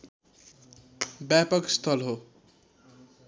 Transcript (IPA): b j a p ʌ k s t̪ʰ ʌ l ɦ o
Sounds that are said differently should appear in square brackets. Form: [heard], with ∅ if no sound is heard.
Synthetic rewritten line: b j a p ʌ k s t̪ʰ ʌ l ɦ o

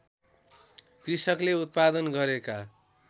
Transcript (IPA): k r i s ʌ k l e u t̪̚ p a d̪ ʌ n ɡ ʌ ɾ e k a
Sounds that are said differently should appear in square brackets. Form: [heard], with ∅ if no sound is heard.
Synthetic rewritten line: k r i s ʌ k l e u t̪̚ p a d̪ ʌ n ɡ ʌ ɾ e k a

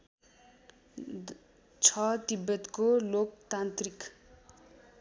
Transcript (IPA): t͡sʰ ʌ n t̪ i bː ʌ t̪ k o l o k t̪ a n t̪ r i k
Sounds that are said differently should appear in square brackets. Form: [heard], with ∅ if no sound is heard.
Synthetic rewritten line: t͡sʰ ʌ [∅] t̪ i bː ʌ t̪ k o l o k t̪ a n t̪ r i k

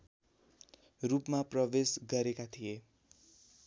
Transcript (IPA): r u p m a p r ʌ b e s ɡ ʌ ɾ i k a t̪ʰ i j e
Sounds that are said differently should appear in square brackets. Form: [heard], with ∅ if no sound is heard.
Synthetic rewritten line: r u p m a p r ʌ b e s ɡ ʌ ɾ [e] k a t̪ʰ i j e

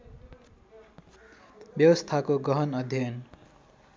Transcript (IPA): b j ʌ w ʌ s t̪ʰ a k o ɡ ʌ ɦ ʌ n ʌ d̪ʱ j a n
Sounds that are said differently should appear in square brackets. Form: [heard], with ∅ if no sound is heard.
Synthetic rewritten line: b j ʌ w ʌ s t̪ʰ a k o ɡ ʌ ɦ ʌ n ʌ d̪ʱ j [ʌ] n

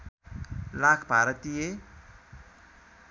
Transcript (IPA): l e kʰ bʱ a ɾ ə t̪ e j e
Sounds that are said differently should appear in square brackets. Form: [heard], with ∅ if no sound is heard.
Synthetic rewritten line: l [a] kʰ bʱ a ɾ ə t̪ [i] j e

